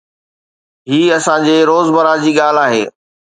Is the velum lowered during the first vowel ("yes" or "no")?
no